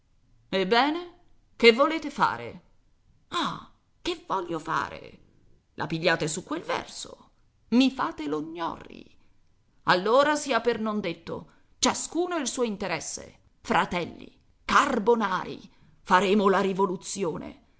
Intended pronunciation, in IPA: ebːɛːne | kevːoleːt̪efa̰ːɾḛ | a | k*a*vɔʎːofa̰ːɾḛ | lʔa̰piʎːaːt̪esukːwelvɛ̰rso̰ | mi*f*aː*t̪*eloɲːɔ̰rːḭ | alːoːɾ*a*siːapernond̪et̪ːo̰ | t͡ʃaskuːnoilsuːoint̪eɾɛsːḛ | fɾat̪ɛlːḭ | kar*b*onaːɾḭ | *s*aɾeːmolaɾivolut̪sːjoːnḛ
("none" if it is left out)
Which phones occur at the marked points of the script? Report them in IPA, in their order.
e, f, t̪, a, b, f

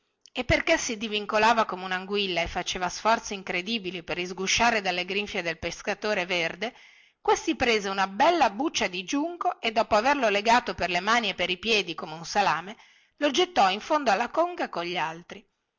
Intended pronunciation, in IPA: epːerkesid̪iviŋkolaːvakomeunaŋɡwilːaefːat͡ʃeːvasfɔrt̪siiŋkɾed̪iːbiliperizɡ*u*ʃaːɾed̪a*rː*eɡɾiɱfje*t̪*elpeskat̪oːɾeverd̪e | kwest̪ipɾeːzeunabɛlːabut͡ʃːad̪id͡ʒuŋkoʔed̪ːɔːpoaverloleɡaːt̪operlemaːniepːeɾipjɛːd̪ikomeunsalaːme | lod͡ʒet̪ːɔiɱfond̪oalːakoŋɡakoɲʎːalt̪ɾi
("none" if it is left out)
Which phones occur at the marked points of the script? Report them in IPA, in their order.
u, lː, d̪

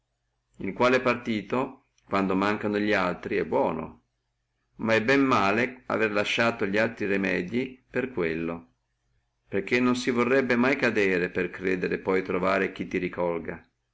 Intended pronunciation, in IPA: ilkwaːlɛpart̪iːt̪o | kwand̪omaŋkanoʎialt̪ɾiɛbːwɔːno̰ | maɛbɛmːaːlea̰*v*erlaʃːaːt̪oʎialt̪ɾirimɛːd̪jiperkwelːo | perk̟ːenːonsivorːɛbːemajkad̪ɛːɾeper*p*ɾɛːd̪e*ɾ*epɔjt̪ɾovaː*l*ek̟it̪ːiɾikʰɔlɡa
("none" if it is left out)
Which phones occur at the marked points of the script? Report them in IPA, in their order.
v, k, ɾ, ɾ

